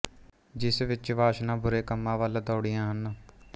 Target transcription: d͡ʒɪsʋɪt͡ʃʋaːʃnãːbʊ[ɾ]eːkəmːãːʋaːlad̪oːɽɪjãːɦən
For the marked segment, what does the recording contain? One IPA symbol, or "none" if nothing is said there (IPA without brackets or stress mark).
ɾ